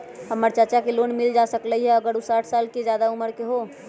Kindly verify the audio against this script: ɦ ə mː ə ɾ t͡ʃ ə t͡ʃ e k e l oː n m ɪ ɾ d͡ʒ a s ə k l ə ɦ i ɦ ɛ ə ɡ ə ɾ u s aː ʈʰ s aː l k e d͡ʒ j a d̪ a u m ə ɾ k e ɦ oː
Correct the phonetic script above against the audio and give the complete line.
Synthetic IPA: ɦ ə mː ə ɾ t͡ʃ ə t͡ʃ a k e l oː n m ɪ l d͡ʒ a s ə k l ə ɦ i ɦ ɛ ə ɡ ə ɾ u s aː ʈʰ s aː l k e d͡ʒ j a d̪ a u m ə ɾ k e ɦ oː